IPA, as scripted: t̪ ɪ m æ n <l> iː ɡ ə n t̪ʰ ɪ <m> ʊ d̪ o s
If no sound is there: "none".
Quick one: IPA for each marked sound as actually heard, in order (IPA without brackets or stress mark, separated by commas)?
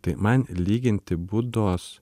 l, b